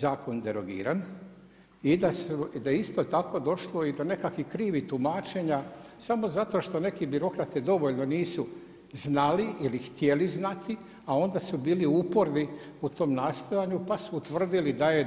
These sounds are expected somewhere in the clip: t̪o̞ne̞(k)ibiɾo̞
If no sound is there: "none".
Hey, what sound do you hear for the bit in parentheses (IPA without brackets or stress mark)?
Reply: k